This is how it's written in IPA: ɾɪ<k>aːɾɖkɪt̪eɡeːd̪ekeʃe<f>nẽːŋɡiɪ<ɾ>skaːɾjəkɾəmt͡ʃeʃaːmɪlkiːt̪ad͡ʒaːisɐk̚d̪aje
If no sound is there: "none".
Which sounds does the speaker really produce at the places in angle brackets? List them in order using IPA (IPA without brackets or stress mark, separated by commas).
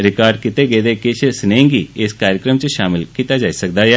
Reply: k, s, none